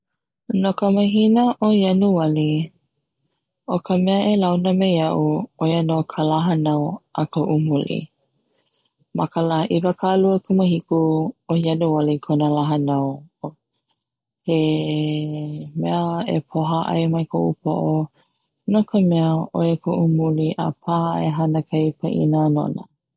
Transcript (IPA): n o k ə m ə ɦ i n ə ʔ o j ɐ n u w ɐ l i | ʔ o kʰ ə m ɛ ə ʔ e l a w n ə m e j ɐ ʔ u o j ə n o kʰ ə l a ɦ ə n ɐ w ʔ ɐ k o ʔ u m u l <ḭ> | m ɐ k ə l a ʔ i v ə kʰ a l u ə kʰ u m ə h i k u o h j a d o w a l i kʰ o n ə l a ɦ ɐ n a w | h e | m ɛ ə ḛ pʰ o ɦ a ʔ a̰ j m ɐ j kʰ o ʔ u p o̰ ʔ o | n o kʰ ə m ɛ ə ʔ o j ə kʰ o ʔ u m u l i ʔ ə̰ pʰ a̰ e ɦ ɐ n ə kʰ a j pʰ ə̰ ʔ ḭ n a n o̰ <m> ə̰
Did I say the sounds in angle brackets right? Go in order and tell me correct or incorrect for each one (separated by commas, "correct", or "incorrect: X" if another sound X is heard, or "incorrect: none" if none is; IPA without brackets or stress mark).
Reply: correct, incorrect: n